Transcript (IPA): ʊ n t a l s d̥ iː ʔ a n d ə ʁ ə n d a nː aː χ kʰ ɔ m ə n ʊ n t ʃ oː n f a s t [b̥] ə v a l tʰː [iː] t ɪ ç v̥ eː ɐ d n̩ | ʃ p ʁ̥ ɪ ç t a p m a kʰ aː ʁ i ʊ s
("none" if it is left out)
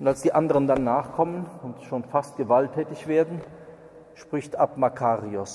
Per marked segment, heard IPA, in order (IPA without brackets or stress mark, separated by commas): ɡ̥, ɛː